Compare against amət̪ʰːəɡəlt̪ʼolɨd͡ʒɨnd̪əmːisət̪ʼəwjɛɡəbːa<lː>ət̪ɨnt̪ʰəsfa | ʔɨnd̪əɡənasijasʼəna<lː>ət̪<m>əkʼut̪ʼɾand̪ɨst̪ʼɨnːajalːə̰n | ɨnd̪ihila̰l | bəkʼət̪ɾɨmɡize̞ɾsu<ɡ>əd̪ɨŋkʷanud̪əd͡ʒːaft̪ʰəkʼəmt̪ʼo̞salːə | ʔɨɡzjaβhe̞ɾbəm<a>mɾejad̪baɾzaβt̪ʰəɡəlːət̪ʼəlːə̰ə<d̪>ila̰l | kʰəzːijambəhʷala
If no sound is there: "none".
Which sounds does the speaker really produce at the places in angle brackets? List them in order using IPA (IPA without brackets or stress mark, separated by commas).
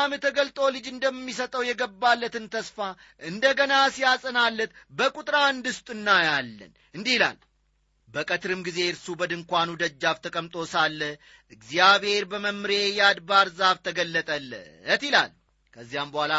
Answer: lː, lː, b, b, ə, t̪